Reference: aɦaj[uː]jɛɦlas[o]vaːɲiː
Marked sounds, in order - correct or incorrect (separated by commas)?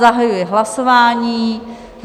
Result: incorrect, correct